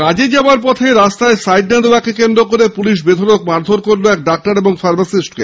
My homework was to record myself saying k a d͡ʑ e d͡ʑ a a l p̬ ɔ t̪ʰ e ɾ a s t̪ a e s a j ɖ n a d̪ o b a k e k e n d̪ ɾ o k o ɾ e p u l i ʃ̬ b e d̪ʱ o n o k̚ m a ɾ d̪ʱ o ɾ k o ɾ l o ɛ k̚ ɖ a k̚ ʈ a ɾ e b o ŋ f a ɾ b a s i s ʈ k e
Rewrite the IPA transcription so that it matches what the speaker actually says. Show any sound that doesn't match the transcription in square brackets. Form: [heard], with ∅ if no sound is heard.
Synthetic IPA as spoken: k a d͡ʑ e d͡ʑ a a [ɾ] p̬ ɔ t̪ʰ e ɾ a s t̪ a e s a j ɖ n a d̪ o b a k e k e n d̪ ɾ o k o ɾ e p u l i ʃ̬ b e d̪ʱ o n o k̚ m a ɾ d̪ʱ o ɾ k o ɾ l o ɛ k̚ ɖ a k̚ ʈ a ɾ e b o ŋ f a ɾ b a s i s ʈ k e